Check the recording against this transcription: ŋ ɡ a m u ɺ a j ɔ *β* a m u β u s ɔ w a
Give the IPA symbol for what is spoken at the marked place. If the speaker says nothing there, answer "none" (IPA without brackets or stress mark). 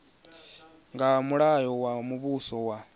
w